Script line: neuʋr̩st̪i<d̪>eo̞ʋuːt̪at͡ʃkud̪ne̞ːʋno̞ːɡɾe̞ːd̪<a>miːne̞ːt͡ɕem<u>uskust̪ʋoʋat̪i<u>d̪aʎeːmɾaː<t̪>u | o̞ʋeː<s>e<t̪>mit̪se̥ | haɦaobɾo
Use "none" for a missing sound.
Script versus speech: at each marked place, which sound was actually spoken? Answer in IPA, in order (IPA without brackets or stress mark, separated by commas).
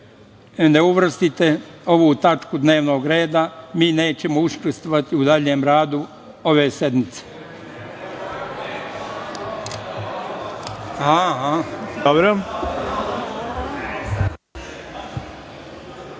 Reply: t̪, a, o, u, d̪, s, d̪